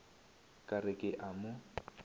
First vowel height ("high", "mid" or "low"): low